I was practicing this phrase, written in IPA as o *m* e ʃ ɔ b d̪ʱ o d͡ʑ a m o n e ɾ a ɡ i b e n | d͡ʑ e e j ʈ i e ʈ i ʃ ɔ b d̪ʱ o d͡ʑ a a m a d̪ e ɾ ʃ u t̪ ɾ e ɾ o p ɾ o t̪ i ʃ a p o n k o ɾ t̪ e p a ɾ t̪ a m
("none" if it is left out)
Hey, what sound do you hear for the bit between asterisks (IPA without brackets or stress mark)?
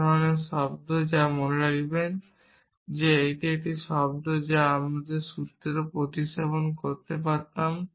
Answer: n